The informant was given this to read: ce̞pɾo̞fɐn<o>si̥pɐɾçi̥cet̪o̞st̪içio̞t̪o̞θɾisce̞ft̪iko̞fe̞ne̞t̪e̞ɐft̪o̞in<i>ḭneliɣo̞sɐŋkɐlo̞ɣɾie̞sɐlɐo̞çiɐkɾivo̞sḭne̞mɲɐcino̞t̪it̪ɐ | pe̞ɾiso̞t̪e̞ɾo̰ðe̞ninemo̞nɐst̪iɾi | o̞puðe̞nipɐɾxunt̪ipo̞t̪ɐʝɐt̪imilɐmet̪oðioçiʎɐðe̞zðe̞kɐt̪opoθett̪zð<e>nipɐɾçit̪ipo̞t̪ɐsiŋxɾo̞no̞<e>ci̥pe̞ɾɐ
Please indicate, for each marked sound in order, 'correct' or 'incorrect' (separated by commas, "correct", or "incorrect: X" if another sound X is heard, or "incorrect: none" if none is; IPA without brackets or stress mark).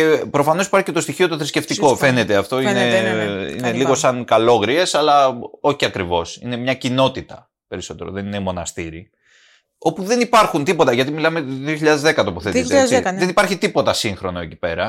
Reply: correct, incorrect: e, correct, correct